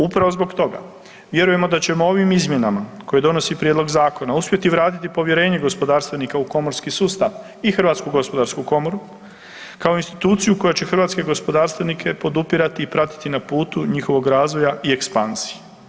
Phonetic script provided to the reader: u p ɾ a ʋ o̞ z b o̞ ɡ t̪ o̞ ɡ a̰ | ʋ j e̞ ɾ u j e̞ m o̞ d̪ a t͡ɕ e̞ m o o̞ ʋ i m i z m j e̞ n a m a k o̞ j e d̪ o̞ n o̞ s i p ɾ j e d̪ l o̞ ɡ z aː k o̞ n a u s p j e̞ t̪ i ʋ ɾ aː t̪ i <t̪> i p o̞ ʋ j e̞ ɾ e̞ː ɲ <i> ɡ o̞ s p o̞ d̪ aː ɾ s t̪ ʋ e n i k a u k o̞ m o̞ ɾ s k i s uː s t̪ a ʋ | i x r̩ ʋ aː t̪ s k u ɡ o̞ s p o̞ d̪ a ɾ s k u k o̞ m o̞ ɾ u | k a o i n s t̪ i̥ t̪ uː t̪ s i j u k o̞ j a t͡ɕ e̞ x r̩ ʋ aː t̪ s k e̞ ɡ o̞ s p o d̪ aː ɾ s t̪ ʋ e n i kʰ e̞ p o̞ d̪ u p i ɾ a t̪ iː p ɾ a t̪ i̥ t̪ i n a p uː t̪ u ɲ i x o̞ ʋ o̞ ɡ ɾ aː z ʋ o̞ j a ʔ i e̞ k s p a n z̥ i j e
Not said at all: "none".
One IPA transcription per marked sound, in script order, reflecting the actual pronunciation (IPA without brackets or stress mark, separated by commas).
t̪, e